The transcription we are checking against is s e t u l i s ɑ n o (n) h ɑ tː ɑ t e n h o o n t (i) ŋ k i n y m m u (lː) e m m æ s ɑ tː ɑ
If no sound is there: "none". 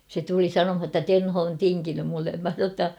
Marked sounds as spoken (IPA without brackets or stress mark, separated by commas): m, i, lː